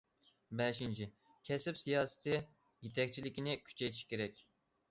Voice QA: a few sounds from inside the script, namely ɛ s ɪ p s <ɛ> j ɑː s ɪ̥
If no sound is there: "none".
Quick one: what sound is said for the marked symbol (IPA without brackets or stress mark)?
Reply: i